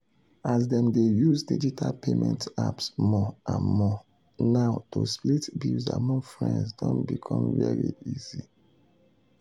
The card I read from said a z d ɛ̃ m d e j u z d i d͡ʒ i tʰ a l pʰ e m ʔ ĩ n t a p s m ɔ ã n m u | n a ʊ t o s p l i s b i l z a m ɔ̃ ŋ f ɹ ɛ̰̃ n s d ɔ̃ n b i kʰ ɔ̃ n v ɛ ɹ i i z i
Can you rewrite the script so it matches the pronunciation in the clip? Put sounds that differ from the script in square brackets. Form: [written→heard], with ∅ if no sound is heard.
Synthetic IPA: a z d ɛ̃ m d e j u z d i d͡ʒ i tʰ a l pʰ e m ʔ [ĩ→ɛ̃] n t a p s m ɔ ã n m [u→ɔ] | n a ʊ t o s p l i [s→t] b i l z a m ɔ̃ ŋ f ɹ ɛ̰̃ n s d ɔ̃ n b i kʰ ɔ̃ [n→m] v ɛ ɹ i i z i